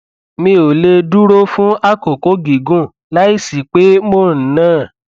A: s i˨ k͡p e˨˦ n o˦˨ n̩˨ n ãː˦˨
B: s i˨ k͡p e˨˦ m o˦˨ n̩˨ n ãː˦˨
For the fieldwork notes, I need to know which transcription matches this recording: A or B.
B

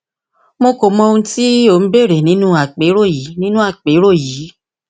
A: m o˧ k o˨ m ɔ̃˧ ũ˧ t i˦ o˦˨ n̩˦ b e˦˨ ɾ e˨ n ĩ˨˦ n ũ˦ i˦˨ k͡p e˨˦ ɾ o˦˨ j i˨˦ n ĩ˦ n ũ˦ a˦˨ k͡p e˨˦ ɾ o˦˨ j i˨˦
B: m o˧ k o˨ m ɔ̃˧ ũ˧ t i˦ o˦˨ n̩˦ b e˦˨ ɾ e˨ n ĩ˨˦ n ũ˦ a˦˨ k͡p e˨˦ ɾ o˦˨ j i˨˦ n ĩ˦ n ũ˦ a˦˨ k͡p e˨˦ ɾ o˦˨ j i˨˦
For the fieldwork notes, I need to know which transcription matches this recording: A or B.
B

